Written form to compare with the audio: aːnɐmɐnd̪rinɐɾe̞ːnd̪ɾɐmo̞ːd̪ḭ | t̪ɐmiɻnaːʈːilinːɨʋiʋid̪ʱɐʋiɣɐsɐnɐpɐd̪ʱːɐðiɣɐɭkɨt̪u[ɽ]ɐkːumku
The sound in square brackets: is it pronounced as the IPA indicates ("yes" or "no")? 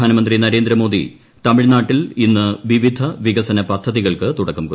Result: yes